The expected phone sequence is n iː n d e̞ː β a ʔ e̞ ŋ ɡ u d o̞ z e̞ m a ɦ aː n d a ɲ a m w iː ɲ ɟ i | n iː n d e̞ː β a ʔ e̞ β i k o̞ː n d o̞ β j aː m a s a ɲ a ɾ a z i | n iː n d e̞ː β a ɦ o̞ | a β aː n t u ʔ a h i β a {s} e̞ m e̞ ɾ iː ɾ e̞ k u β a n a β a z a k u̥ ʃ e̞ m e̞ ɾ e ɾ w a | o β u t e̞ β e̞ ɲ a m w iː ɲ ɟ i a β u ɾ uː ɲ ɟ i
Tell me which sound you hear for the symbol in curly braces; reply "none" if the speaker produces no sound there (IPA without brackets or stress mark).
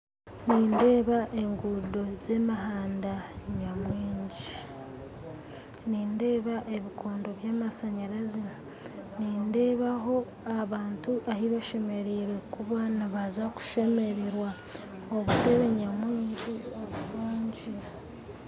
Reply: ʃ